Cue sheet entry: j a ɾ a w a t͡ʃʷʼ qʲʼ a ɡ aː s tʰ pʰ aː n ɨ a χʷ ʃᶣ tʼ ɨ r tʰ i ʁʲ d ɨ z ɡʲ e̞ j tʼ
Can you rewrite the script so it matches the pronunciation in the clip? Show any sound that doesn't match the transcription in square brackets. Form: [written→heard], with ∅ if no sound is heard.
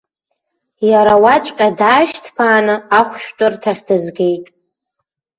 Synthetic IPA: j a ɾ a w a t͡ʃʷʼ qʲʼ a [ɡ→d] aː [s→ʃ] tʰ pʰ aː n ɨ a χʷ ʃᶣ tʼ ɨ r tʰ [i→a] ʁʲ d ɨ z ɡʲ e̞ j tʼ

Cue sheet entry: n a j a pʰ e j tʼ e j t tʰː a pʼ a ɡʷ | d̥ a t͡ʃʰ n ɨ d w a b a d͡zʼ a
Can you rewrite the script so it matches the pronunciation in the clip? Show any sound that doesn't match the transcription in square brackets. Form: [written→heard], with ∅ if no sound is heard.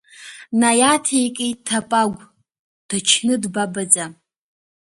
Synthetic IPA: n a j a [pʰ→tʰ] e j [tʼ→kʼ] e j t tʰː a pʼ a ɡʷ | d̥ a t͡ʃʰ n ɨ d [w→b] a b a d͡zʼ a

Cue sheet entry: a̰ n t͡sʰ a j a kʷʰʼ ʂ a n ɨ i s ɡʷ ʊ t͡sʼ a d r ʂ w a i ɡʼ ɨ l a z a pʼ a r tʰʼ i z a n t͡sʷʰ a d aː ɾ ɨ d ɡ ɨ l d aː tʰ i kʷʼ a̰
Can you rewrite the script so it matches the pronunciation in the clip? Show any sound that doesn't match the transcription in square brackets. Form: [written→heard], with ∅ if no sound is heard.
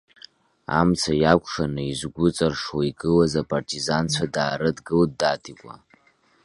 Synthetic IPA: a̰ [n→m] t͡sʰ a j a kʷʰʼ ʂ a n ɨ i [s→z] ɡʷ ʊ t͡sʼ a [d→∅] r ʂ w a i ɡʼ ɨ l a z a pʼ a r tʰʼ i z a n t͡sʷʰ a d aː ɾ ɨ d ɡ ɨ l d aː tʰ i kʷʼ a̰

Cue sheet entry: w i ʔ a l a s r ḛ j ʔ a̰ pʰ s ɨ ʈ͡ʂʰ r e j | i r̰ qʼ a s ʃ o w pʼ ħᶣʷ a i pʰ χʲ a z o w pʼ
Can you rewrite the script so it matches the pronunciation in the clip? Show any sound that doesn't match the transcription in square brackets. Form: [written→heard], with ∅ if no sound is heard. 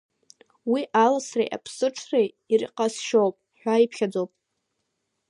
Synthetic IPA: w i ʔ a l a s r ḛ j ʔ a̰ pʰ s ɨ ʈ͡ʂʰ r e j | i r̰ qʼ a s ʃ o w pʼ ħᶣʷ a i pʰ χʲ a [z→d͡z] o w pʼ

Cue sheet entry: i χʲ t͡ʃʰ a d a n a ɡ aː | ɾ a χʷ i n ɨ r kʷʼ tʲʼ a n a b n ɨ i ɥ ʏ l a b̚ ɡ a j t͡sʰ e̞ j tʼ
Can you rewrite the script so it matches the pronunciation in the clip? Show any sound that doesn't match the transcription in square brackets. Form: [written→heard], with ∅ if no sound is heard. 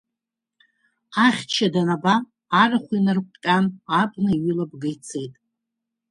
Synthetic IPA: [i→a] χʲ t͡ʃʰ a d a n a [ɡ→b] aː | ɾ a χʷ i n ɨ r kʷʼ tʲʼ a n a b n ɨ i ɥ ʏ l a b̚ ɡ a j t͡sʰ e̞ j tʼ

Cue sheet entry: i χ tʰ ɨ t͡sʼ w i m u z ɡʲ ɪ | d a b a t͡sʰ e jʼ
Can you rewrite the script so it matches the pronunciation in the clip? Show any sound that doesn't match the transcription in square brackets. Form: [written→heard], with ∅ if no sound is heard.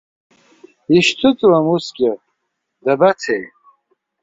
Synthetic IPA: i [χ→ʃ] tʰ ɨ t͡sʼ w [i→a] m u [z→s] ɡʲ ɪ | d a b a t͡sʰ e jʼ

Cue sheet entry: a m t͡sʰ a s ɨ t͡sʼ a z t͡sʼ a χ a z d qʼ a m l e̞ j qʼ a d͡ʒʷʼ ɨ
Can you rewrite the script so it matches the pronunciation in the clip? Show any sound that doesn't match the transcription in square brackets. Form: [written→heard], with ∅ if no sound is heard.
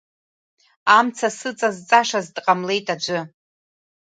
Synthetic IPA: a m t͡sʰ a s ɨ t͡sʼ a z t͡sʼ a [χ→ʂ] a z d qʼ a m l e̞ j [qʼ→tʼ] a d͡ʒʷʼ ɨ

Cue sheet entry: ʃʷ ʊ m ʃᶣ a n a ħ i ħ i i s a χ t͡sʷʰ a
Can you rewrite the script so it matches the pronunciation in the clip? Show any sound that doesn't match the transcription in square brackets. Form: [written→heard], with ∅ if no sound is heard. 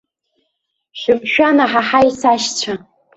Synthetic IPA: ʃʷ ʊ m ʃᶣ a n a ħ [i→a] ħ [i→a] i s a [χ→ʃ] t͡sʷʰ a

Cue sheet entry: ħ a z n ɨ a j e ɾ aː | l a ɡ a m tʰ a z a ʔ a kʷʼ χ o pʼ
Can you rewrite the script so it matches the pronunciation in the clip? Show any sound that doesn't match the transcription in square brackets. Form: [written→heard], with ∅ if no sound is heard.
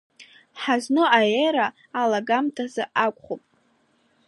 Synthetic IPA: ħ a z n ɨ a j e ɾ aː | l a ɡ a m tʰ a z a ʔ a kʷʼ χ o pʼ

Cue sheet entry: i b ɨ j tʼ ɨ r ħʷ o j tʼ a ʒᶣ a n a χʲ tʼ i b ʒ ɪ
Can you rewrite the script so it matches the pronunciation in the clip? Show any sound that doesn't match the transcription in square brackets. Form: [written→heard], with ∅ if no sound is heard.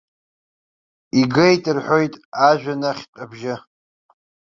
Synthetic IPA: i [b→ɡ] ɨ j tʼ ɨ r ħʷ o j tʼ a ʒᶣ a n a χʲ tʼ [i→a] b ʒ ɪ

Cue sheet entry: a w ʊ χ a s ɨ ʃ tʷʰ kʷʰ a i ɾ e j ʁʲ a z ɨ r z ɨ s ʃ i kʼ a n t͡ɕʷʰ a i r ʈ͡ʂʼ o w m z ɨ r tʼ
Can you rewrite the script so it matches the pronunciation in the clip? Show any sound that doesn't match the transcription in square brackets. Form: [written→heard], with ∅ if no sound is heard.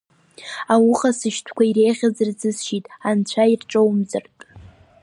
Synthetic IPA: a w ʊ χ a s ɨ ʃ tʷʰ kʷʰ a i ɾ e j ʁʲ a z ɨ r z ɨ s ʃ i [kʼ→tʼ] a n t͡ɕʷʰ a i r ʈ͡ʂʼ o w m z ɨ r tʼ

